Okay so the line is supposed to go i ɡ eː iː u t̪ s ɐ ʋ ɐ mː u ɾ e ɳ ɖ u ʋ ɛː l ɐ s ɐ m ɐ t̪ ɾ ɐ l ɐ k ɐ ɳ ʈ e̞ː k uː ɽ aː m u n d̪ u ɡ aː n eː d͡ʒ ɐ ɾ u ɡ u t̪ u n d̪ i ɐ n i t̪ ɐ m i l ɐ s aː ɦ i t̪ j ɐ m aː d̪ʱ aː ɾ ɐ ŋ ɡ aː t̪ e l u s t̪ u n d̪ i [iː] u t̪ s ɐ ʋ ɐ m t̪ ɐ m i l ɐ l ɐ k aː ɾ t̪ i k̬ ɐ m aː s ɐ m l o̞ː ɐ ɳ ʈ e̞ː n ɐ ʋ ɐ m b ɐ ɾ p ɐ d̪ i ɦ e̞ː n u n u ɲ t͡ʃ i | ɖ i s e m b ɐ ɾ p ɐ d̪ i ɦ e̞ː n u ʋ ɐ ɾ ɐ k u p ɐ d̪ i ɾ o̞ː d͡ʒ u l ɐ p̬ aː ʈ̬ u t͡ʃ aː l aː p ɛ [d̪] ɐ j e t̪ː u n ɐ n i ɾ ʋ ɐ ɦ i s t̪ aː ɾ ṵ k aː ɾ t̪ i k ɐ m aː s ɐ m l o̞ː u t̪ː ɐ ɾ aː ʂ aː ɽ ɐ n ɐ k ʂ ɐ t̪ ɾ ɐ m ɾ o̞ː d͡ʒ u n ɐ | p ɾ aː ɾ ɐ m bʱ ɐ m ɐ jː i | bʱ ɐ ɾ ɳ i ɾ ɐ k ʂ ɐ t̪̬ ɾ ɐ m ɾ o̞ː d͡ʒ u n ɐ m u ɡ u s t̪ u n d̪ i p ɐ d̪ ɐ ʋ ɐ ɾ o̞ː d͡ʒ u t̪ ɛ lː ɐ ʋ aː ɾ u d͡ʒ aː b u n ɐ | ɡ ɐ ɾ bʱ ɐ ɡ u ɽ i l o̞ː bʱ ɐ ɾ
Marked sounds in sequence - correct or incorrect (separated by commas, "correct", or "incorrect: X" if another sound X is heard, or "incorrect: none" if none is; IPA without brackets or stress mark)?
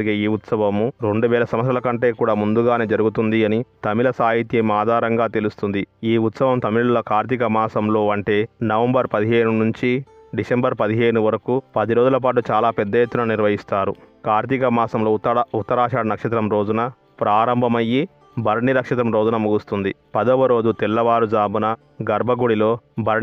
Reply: correct, incorrect: d̪ː